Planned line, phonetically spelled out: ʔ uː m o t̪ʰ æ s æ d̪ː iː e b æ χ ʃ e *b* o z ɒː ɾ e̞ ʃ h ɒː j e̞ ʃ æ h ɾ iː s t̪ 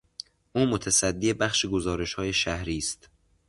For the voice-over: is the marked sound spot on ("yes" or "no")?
no